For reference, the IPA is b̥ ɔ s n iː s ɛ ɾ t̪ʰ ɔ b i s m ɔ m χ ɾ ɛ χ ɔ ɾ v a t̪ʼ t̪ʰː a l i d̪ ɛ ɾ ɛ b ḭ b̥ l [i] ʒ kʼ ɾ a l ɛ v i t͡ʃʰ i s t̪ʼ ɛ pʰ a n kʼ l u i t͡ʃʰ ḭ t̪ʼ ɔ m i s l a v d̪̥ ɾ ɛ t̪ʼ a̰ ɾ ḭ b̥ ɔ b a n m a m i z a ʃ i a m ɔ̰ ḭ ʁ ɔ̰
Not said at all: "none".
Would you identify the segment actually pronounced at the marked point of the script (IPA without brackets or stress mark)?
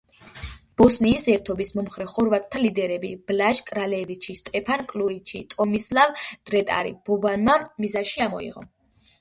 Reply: a